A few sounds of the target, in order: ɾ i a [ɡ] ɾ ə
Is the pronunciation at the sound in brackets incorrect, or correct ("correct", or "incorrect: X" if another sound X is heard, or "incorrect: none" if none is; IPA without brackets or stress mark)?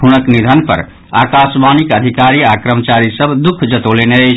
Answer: incorrect: k